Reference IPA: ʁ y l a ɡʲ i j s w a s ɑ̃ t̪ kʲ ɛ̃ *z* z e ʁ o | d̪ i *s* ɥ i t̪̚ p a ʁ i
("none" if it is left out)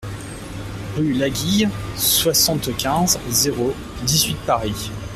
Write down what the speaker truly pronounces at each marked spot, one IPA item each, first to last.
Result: z, z

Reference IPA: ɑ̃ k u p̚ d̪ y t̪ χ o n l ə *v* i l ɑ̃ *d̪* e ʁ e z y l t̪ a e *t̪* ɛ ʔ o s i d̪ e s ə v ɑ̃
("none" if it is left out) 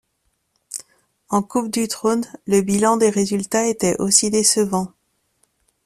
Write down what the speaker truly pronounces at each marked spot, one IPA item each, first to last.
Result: b, d̪, t̪

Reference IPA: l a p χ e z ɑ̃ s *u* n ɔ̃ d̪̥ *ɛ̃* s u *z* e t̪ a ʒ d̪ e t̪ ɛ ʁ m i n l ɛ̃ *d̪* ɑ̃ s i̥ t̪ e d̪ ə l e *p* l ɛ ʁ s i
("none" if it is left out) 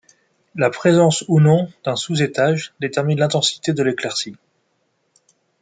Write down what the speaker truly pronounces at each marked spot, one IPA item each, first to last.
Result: u, ɛ̃, z, t̪, k

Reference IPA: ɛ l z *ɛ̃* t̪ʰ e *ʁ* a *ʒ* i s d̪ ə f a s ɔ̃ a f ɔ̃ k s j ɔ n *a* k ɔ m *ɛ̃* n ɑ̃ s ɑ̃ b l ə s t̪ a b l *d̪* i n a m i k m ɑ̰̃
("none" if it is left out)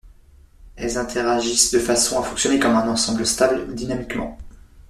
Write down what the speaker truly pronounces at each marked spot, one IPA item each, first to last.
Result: ɛ̃, ʁ, ʒ, e, ɛ̃, d̪

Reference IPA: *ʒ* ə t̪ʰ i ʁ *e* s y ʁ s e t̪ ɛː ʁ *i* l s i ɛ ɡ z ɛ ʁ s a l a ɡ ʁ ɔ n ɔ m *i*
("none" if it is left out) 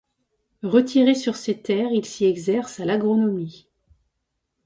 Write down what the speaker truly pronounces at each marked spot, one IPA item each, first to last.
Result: ʁ, e, i, i

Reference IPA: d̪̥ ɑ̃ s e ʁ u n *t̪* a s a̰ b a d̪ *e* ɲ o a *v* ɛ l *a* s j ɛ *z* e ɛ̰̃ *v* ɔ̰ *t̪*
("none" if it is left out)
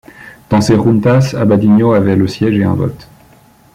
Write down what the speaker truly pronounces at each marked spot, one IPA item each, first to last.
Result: t̪, i, v, ə, ʒ, v, t̪

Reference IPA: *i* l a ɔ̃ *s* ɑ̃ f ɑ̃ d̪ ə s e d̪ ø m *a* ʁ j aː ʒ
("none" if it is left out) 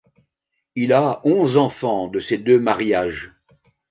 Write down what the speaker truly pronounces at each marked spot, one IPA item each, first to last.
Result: i, z, a

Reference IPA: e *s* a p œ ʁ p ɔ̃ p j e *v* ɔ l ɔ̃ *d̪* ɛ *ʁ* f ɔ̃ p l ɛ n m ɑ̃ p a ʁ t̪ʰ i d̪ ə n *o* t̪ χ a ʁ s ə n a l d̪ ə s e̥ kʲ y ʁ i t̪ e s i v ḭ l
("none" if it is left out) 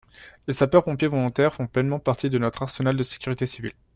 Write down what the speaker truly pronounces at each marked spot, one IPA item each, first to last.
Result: s, v, t̪, ʁ, ɔ

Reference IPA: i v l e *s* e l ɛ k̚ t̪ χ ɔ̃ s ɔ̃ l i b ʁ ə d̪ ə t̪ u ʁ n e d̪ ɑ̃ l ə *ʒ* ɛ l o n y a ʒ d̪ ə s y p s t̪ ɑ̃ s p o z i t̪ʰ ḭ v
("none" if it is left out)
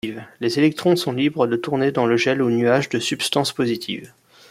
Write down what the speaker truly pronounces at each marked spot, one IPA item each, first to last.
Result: z, ʒ

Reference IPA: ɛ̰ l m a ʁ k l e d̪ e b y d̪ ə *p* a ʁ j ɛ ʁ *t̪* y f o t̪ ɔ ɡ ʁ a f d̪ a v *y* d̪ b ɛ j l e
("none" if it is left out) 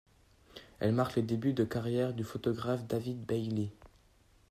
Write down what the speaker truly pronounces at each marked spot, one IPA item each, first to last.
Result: k, d̪, i

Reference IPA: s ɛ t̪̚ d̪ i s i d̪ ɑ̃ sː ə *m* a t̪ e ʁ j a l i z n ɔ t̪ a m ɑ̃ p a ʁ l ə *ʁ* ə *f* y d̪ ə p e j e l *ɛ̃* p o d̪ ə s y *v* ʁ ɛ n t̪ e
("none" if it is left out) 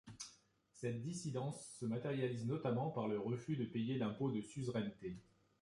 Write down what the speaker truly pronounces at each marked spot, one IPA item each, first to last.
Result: m, ʁ, f, ɛ̃, v

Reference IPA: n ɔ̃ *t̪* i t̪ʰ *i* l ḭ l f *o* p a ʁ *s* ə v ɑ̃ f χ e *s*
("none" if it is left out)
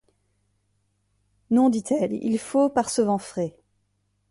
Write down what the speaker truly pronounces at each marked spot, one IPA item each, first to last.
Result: d̪, ɛ, o, s, none

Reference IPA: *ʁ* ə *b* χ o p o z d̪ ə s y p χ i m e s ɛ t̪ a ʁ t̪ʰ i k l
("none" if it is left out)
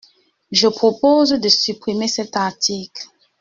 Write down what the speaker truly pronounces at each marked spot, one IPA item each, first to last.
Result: ʒ, p

